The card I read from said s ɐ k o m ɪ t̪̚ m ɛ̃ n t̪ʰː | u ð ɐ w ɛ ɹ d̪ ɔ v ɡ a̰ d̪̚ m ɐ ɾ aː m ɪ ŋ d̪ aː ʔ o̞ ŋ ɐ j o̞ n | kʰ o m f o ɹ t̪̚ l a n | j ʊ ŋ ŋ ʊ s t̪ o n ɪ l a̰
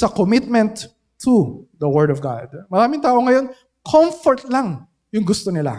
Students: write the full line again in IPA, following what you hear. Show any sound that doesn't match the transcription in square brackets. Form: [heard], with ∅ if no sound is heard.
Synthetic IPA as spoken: s ɐ k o m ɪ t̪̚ m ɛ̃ n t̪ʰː | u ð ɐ w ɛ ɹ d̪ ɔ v ɡ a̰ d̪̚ m ɐ ɾ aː m ɪ ŋ [t̪] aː ʔ o̞ ŋ ɐ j o̞ n | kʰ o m f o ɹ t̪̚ l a [ŋ] | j ʊ ŋ [ɡ] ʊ s t̪ o n ɪ l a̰